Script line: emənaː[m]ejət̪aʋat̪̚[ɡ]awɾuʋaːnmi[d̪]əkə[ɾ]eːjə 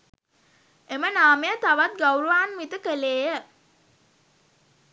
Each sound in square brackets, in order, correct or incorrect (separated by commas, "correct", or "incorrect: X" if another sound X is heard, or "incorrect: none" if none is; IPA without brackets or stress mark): correct, correct, incorrect: t̪, incorrect: l